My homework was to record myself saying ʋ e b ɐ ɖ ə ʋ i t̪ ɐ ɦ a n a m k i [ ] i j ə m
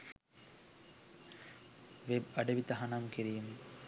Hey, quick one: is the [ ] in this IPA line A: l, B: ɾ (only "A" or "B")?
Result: B